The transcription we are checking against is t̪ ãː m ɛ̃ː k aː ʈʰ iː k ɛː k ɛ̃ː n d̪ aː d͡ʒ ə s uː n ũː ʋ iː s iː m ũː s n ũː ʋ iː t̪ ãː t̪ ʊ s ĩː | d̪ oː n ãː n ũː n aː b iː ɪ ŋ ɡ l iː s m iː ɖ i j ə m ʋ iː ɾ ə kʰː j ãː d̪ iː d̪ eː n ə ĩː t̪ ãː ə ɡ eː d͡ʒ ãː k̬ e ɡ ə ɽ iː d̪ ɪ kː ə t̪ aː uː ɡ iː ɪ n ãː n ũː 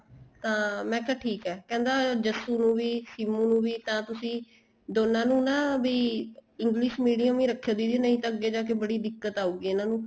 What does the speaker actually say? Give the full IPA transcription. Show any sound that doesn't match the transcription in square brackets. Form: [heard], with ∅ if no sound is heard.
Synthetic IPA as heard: t̪ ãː m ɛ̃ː k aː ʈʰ iː k ɛː k ɛ̃ː n d̪ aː d͡ʒ ə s uː n ũː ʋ iː s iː m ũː [∅] n ũː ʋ iː t̪ ãː t̪ ʊ s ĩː | d̪ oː n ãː n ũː n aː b iː ɪ ŋ ɡ l iː [ʃ] m iː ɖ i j ə m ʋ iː ɾ ə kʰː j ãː d̪ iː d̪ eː n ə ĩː t̪ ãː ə ɡ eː d͡ʒ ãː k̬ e [b] ə ɽ iː d̪ ɪ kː ə t̪ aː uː ɡ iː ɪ n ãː n ũː